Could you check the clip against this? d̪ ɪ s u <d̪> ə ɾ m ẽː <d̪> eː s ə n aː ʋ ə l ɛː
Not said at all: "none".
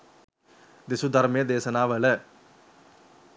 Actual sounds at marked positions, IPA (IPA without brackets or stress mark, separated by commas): d̪, d̪